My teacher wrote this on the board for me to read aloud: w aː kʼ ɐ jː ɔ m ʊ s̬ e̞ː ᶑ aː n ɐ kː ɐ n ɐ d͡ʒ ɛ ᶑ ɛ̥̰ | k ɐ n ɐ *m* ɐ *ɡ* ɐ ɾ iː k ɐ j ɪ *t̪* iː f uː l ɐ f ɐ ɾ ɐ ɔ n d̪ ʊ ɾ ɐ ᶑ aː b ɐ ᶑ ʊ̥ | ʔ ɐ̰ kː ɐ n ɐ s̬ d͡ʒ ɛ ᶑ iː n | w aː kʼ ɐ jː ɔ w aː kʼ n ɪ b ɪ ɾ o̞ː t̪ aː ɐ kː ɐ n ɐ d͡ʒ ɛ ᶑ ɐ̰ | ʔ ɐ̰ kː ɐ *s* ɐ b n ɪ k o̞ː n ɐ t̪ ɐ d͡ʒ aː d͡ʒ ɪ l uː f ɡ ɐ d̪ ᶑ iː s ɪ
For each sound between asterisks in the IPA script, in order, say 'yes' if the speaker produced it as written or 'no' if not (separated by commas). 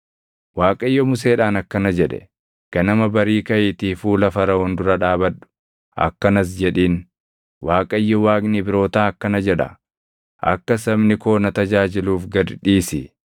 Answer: yes, no, yes, yes